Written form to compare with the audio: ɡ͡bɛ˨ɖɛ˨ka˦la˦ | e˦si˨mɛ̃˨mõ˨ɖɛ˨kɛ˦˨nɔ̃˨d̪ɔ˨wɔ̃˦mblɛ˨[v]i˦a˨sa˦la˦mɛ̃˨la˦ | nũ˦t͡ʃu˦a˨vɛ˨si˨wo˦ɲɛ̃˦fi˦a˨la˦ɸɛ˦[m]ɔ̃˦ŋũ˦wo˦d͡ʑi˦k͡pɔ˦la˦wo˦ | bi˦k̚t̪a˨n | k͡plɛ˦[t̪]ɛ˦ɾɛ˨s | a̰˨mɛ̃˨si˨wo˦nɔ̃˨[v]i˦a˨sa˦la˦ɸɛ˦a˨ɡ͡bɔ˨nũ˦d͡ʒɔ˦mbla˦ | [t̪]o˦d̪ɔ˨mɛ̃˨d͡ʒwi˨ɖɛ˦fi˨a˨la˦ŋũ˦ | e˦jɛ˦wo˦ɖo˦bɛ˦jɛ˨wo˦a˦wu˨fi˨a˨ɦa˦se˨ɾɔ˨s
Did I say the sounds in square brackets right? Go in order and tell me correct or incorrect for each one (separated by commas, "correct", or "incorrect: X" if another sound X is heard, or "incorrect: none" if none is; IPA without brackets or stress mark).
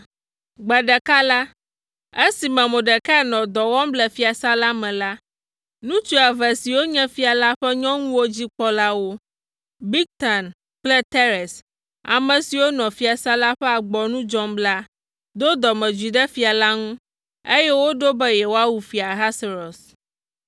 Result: incorrect: f, incorrect: ɲ, correct, incorrect: f, incorrect: d̪